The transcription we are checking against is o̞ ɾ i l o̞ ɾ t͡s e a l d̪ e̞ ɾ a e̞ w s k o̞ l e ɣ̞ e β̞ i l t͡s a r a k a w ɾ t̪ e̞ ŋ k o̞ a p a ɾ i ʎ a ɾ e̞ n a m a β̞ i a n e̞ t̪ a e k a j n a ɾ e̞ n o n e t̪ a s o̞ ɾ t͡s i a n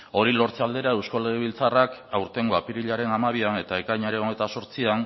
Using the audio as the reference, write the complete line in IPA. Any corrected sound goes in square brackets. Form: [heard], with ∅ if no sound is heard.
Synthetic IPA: o̞ ɾ i l o̞ ɾ t͡s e a l d̪ e̞ ɾ a e̞ w s k o̞ l e ɣ̞ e β̞ i l t͡s a r a k a w ɾ t̪ e̞ ŋ [ɡ] o̞ a p [i] ɾ i ʎ a ɾ e̞ n a m a β̞ i a n e̞ t̪ a e k a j [ɲ] a ɾ e̞ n o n e t̪ a s o̞ ɾ t͡s i a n

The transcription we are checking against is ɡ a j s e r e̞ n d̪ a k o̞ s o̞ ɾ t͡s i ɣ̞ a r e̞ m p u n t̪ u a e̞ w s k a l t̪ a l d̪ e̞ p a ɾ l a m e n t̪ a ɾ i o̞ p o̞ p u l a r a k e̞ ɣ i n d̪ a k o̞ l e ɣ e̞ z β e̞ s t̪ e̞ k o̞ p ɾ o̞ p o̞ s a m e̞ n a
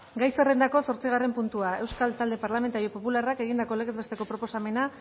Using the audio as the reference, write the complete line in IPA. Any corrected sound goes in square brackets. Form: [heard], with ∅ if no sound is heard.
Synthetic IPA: ɡ a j s e r e̞ n d̪ a k o̞ s o̞ ɾ t͡s i ɣ̞ a r e̞ m p u n t̪ u a e̞ w s k a l t̪ a l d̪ e̞ p a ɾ l a m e n t̪ a ɾ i o̞ p o̞ p u l a r a k e̞ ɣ i n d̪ a k o̞ l e ɣ e̞ z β e̞ s t̪ e̞ k o̞ p ɾ o̞ p o̞ s a m e̞ n a

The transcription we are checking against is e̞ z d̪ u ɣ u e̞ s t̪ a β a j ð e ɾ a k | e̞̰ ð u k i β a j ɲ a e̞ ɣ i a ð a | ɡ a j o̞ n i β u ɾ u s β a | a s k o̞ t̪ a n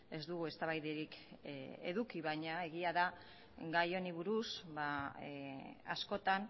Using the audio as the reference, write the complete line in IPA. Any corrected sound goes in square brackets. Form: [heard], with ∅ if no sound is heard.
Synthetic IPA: e̞ z d̪ u ɣ u e̞ s t̪ a β a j ð e ɾ [i] k | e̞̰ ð u k i β a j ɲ a e̞ ɣ i a ð a | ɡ a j o̞ n i β u ɾ u s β a | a s k o̞ t̪ a n

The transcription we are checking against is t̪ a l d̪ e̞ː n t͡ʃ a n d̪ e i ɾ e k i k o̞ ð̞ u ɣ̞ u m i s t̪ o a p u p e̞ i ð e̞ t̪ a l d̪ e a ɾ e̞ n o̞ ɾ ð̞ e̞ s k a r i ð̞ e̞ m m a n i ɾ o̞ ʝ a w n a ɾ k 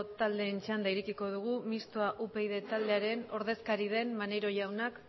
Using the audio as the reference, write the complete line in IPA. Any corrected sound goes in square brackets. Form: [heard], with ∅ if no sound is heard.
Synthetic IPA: t̪ a l d̪ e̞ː n t͡ʃ a n d̪ [a] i ɾ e k i k o̞ ð̞ u ɣ̞ u m i s t̪ o a [ʔ] u p e̞ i ð e̞ t̪ a l d̪ e a ɾ e̞ n o̞ ɾ ð̞ e̞ s k a [ɾ] i ð̞ e̞ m m a n [e] ɾ o̞ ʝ a w n a [∅] k

